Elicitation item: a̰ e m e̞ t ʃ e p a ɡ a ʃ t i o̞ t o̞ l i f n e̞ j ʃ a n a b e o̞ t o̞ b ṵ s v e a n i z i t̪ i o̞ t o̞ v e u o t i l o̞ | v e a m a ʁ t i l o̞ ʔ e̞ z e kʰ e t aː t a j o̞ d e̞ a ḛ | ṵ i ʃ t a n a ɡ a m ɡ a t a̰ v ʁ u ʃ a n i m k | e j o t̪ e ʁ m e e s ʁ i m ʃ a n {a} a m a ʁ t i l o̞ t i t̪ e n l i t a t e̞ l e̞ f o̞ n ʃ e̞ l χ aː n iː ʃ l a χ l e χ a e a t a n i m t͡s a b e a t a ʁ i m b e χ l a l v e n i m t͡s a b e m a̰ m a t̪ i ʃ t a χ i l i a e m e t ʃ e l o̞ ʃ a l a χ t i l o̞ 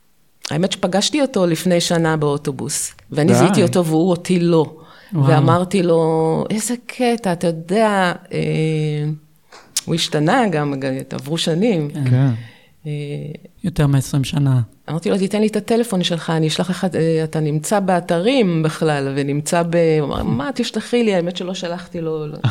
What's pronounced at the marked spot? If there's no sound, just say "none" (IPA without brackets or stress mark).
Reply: a